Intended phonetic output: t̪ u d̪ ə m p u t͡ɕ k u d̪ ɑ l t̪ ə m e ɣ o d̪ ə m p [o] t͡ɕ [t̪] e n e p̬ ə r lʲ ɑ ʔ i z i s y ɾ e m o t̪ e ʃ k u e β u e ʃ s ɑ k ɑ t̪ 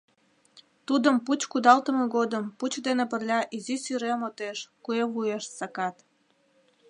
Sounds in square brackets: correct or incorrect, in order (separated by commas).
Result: incorrect, incorrect